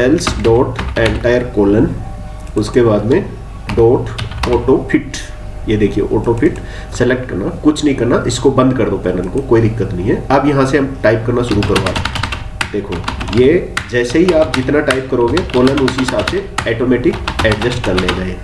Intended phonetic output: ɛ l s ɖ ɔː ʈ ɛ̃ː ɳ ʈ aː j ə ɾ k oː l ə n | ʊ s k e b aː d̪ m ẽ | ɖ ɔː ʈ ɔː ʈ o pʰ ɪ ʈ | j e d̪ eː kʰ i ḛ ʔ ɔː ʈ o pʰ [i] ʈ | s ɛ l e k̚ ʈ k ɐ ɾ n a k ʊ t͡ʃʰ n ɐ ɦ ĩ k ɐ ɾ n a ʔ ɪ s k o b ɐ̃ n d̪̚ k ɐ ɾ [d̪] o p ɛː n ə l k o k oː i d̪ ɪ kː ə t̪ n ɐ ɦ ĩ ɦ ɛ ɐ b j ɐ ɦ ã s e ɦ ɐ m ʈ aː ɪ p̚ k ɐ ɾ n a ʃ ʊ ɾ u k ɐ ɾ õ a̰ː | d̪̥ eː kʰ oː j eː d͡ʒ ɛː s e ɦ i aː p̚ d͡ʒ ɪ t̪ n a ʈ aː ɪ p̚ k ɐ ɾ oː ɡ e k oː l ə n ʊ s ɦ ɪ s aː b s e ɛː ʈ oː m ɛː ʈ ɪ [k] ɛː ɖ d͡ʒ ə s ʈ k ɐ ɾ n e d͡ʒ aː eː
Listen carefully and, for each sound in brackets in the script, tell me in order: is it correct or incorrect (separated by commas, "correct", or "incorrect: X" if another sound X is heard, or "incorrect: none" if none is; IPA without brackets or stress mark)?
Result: incorrect: ɪ, correct, correct